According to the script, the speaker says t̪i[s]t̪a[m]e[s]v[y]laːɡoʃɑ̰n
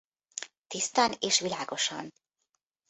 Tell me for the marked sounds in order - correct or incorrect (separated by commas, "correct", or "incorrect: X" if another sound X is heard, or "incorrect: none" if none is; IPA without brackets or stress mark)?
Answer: correct, incorrect: n, incorrect: ʃ, incorrect: i